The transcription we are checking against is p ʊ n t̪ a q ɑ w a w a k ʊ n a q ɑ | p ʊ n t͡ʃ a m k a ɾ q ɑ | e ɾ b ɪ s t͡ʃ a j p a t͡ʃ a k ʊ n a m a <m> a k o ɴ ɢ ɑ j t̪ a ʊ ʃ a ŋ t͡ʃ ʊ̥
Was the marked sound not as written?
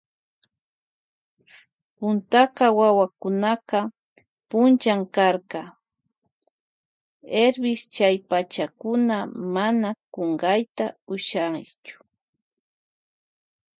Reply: yes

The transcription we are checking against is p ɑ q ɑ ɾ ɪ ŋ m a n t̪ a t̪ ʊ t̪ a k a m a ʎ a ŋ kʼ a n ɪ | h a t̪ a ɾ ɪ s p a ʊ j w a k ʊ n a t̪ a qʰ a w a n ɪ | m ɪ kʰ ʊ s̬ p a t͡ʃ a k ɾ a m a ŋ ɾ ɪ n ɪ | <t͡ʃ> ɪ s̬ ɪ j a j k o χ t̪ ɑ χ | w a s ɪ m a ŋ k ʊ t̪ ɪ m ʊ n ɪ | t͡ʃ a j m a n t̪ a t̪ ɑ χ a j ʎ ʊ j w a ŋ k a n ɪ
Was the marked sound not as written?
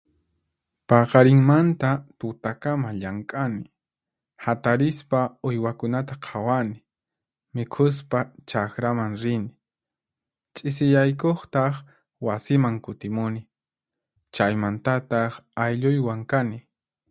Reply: yes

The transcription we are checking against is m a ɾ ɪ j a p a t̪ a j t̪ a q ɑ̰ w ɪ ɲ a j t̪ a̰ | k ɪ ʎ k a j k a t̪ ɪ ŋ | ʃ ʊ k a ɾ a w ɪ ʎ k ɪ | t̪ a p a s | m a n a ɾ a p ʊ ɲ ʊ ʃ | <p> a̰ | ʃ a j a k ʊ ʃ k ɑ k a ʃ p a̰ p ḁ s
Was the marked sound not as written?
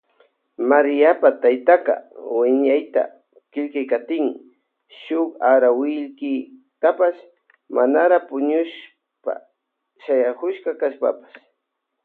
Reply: no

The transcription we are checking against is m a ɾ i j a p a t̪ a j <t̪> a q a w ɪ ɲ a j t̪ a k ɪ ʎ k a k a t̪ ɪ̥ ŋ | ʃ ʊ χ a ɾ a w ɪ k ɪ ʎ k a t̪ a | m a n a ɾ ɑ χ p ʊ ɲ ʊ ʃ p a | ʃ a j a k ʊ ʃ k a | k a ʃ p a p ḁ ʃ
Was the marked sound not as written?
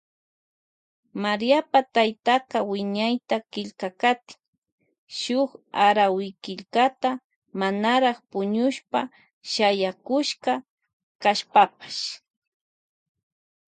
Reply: no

